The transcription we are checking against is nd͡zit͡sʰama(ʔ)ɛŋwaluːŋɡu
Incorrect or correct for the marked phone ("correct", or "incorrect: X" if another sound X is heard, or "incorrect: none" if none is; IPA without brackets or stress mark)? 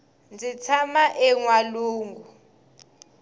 correct